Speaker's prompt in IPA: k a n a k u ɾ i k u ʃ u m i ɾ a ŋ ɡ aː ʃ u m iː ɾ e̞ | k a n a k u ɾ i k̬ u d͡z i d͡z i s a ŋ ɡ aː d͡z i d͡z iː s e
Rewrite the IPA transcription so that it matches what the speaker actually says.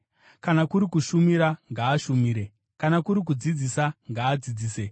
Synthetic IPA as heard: k a n a k u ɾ i k u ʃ u m i ɾ a ŋ ɡ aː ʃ u m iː ɾ e̞ | k a n a k u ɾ i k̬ u d͡z i d͡z i s a ŋ ɡ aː d͡z i d͡z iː s e

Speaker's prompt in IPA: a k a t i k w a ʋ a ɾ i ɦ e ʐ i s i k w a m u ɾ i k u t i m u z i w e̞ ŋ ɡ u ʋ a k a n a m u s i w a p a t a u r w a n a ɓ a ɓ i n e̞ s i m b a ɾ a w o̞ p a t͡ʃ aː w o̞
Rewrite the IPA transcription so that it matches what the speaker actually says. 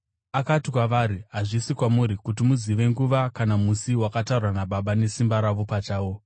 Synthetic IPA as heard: a k a t i k w a ʋ a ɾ i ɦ a ʐ i s i k w a m u ɾ i k u t i m u z i ʋ e̞ ŋ ɡ u ʋ a k a n a m u s i w a k a t a u r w a n a ɓ a ɓ a n e̞ s i m b a ɾ a ʋ o̞ p a t͡ʃ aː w o̞

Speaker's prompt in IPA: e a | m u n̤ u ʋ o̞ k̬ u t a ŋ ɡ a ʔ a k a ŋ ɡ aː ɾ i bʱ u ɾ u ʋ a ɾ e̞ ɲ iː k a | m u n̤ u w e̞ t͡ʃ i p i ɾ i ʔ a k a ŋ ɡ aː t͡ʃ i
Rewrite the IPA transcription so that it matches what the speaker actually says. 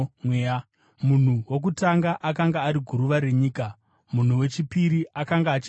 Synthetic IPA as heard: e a | m u n̤ u w o̞ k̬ u t a ŋ ɡ a ʔ a k a ŋ ɡ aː ɾ i ɡʱ u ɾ u ʋ a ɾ e̞ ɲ iː k a | m u n̤ u w e̞ t͡ʃ i p i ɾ i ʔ a k a ŋ ɡ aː t͡ʃ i

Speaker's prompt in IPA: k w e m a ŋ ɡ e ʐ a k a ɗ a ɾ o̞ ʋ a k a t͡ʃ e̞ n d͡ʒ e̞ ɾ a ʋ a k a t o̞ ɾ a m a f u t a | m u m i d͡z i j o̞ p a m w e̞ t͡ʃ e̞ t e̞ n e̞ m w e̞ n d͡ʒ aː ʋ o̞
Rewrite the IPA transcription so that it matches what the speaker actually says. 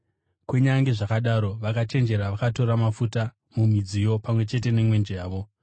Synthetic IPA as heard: k w e ɲ a ŋ ɡ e ʐ a k a ɗ a ɾ o̞ ʋ a k a t͡ʃ e̞ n d͡ʒ e̞ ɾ a ʋ a k a t o̞ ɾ a m a f u t a | m u m i d͡z i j o̞ p a m w e̞ t͡ʃ e̞ t e̞ n e̞ m w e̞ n d͡ʒ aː ʋ o̞

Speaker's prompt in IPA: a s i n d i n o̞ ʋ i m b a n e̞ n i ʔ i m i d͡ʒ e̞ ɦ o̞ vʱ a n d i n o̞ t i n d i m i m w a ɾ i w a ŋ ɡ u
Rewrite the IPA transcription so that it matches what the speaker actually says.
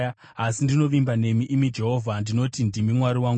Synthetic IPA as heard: a s i n d i n o̞ ʋ i m b a n e̞ m i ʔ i m i d͡ʒ e̞ ɦ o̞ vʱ a n d i n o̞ t i n d i m i m w a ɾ i w a ŋ ɡ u

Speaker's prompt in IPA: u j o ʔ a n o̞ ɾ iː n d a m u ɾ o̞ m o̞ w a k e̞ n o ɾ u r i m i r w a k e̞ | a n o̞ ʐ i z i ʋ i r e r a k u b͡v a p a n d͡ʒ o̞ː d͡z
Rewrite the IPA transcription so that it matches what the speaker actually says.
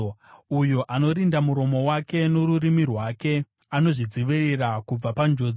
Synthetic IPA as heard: u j o ʔ a n o̞ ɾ i n d a m u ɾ o̞ m o̞ w a k e̞ n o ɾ u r i m i r w a k e̞ | a n o̞ ʐ i d͡z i ʋ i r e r a k u b͡v a p a n d͡ʒ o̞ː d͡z

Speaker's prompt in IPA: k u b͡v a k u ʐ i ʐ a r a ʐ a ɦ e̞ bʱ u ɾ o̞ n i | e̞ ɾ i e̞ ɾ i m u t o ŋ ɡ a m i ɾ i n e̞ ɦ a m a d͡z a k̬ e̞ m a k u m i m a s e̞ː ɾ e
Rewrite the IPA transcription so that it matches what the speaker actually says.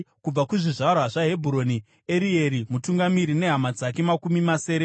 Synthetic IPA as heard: k u b͡v a k u ʐ i ʐ a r a ʐ a ɦ e̞ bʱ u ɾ o̞ n i | e̞ ɾ i e̞ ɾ i m u t u ŋ ɡ a m i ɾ i n e̞ ɦ a m a d͡z a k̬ e̞ m a k u m i m a s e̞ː ɾ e

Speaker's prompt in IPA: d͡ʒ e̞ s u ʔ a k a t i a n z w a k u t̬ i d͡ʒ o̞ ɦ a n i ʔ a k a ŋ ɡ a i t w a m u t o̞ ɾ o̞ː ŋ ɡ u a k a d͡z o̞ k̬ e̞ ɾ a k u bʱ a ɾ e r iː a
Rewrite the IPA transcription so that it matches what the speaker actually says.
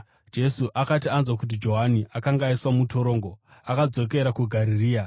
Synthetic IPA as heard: d͡ʒ e̞ s u ʔ a k a t i a n z w a k u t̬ i d͡ʒ o̞ ɦ a n i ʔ a k a ŋ ɡ a i s w a m u t o̞ ɾ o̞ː ŋ ɡ o a k a d͡z o̞ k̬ e̞ ɾ a k u ɡʱ a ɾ i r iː a

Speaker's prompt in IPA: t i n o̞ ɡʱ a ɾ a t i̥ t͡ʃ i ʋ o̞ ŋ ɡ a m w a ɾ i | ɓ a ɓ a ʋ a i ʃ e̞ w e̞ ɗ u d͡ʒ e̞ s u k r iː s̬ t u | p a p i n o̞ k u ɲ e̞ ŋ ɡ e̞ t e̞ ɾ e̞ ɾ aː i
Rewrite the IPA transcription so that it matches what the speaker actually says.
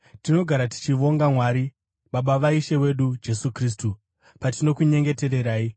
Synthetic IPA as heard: t i n o̞ ɡʱ a ɾ a t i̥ t͡ʃ i ʋ o̞ ŋ ɡ a m w a ɾ i | ɓ a ɓ a ʋ a i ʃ e̞ w e̞ ɗ u d͡ʒ e̞ s u k r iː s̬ t u | p a t i n o̞ k u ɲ e̞ ŋ ɡ e̞ t e̞ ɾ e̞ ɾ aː i

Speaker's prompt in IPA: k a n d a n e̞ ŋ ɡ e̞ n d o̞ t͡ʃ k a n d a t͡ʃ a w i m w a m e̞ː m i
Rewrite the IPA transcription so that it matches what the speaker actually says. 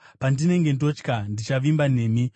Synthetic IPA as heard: p a n d i n e̞ ŋ ɡ e̞ n d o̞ t͡ʃ k a n d i t͡ʃ a ʋ i m b a n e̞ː m i

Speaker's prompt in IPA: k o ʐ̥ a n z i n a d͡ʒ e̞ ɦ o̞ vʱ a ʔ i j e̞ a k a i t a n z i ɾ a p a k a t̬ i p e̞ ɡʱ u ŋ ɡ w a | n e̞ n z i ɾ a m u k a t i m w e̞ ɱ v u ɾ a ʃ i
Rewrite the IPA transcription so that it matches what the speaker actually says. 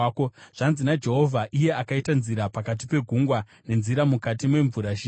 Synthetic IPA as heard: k o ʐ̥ a n z i n a d͡ʒ e̞ ɦ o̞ vʱ a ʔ i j e̞ a k a i t a n z i ɾ a p a k a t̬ i p e̞ ɡʱ u ŋ ɡ w a | n e̞ n z i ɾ a m u k a t i m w e̞ ɱ v u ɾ a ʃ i

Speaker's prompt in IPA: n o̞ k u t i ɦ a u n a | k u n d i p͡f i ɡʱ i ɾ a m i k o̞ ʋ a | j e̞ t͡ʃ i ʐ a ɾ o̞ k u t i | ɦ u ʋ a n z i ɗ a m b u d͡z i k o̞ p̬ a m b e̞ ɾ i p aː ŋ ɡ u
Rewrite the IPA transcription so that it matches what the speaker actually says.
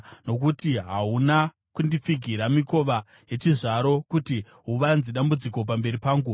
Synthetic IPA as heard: n o̞ k u t i ɦ a u n a | k u n d i p͡f i ɡʱ i ɾ a m i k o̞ ʋ a | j e̞ t͡ʃ i ʐ a ɾ o̞ k u t i | ɦ u ʋ a n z i ɗ a m b u d͡z i k o̞ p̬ a m b e̞ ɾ i p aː ŋ ɡ u

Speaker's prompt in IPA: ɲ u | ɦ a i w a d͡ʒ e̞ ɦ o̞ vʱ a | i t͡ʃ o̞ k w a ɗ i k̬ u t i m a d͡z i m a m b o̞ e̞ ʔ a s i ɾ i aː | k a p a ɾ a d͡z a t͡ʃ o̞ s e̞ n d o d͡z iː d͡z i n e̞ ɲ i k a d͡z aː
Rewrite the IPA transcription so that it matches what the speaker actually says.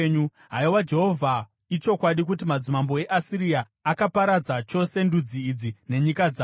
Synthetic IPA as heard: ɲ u | ɦ a i w a d͡ʒ e̞ ɦ o̞ vʱ a | i t͡ʃ o̞ k w a ɗ i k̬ u t i m a d͡z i m a m b o̞ e̞ ʔ a s i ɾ i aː | k a p a ɾ a d͡z a t͡ʃ o̞ s e̞ n d u d͡z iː d͡z i n e̞ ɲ i k a d͡z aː

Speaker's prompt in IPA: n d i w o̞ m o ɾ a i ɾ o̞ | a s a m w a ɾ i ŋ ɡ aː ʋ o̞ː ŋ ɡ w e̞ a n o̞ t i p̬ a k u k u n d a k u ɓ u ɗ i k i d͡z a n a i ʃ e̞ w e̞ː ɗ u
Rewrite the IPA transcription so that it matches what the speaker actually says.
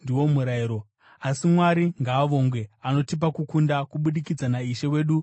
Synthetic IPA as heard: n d i w o̞ m u ɾ a i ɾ o̞ | a s i m w a ɾ i ŋ ɡ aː ʋ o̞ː ŋ ɡ w e̞ a n o̞ t i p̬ a k u k u n d a k u ɓ u ɗ i k i d͡z a n a i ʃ e̞ w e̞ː ɗ u

